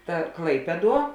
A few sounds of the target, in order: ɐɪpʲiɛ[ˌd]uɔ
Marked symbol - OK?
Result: yes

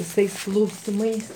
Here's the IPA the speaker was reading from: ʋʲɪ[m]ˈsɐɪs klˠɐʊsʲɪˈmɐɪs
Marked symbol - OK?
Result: no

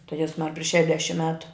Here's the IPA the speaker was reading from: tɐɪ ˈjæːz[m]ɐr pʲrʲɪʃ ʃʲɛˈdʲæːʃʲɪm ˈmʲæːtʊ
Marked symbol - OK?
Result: yes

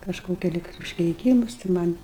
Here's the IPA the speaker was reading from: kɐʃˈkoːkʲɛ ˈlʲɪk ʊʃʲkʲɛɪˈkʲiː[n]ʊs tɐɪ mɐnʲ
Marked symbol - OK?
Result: no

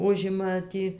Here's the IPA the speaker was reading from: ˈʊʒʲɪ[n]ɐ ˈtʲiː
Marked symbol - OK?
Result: no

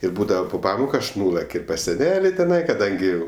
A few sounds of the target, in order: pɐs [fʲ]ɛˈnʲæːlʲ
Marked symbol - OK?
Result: no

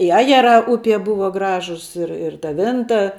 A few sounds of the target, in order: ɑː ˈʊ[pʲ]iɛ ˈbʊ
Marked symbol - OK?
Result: yes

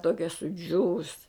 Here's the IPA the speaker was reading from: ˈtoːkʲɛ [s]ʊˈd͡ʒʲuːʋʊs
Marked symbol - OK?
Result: yes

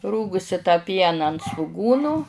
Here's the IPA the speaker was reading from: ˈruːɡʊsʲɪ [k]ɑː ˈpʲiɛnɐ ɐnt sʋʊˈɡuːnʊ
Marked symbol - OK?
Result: no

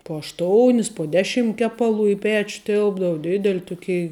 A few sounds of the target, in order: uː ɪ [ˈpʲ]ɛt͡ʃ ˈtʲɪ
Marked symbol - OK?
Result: yes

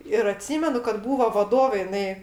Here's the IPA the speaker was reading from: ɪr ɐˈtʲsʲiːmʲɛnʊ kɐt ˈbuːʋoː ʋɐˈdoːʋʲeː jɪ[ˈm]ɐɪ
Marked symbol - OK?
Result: no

